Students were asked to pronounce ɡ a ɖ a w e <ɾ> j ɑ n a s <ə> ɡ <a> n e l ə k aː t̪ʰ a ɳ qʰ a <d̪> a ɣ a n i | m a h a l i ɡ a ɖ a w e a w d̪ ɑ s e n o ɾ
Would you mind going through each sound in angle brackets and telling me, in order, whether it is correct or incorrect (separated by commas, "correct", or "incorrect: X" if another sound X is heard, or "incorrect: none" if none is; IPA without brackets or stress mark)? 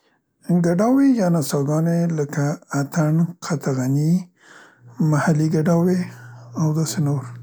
incorrect: none, incorrect: ɑ, incorrect: ɑ, incorrect: t̪